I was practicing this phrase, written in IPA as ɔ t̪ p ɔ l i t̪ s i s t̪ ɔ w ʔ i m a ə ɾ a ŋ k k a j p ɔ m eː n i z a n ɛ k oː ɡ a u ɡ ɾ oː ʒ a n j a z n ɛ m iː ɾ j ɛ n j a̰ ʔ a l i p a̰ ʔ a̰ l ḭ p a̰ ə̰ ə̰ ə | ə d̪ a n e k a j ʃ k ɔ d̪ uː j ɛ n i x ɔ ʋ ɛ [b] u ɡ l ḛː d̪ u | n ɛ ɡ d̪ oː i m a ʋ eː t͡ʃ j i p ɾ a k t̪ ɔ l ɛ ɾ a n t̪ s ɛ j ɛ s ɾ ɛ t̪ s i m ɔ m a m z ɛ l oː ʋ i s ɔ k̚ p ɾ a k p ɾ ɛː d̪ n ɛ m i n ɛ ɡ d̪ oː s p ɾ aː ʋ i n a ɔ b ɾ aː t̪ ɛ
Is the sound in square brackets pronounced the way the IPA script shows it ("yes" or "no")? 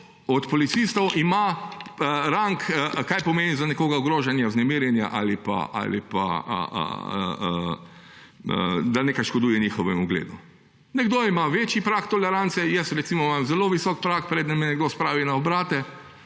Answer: no